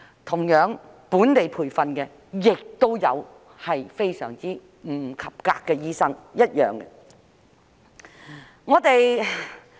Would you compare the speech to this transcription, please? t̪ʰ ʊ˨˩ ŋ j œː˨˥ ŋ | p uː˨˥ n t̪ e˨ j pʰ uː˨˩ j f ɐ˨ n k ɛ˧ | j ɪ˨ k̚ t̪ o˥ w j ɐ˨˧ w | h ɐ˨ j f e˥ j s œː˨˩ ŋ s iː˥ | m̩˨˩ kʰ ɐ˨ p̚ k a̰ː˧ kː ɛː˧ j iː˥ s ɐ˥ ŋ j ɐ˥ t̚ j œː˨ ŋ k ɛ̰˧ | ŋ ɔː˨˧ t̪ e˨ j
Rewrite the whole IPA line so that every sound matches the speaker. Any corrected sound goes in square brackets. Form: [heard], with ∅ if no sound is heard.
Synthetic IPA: t̪ʰ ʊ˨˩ ŋ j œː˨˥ ŋ | p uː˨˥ n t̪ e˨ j pʰ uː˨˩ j f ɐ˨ n k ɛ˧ | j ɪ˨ k̚ t̪ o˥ w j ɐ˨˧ w | h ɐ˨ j f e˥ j s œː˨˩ ŋ [t͡s] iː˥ | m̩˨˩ kʰ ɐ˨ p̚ k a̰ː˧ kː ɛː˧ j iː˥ s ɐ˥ ŋ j ɐ˥ t̚ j œː˨ ŋ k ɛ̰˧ | ŋ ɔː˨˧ t̪ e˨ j

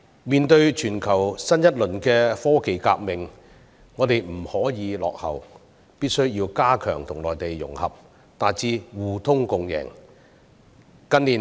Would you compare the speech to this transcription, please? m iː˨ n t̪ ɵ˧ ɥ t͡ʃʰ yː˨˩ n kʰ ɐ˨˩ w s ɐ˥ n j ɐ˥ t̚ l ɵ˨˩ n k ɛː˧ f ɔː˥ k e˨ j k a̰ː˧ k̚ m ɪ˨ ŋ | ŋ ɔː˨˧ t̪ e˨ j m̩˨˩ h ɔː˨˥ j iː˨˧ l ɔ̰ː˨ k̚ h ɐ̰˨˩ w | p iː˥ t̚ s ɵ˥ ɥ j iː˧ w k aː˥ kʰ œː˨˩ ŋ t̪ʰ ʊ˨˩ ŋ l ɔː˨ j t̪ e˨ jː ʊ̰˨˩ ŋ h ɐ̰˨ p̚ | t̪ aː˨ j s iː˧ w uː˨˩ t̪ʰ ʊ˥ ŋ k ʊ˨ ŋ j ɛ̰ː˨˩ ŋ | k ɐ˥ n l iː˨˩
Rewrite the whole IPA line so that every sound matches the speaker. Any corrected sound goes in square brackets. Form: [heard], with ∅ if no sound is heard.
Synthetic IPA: m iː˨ n t̪ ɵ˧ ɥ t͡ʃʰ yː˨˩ n kʰ ɐ˨˩ w s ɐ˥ n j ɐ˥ t̚ l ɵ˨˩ n k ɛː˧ f ɔː˥ k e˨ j k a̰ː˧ k̚ m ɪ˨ ŋ | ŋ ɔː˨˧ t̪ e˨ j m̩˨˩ h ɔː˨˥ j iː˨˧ l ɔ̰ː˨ k̚ h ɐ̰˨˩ w | p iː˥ t̚ s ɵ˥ ɥ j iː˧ w k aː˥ kʰ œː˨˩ ŋ t̪ʰ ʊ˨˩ ŋ l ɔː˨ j t̪ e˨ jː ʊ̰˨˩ ŋ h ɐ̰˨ p̚ | t̪ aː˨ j [t͡s] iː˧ w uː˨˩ t̪ʰ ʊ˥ ŋ k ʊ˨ ŋ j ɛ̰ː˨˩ ŋ | k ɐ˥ n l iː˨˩

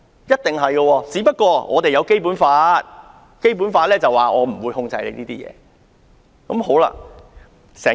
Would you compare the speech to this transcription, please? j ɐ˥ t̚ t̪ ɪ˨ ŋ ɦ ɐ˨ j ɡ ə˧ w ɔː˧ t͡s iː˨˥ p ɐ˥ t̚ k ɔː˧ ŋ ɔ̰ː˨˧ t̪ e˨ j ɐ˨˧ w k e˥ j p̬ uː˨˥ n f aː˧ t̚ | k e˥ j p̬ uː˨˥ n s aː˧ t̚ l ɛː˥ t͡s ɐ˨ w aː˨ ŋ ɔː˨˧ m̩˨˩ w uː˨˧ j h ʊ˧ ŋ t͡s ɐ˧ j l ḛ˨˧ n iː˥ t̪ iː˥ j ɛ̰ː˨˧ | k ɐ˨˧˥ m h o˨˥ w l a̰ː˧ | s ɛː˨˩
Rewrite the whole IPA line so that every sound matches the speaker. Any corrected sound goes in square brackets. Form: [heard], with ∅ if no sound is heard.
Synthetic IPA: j ɐ˥ t̚ t̪ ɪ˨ ŋ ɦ ɐ˨ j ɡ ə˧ w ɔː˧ t͡s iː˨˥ p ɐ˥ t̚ k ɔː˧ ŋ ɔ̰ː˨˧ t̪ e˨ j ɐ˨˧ w k e˥ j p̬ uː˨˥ n f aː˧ t̚ | k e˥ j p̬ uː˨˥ n [f] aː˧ t̚ l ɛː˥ t͡s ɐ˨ w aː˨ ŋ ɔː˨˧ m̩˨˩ w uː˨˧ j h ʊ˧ ŋ t͡s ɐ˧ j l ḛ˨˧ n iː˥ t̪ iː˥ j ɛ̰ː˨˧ | k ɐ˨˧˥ m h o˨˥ w l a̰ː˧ | s ɛː˨˩

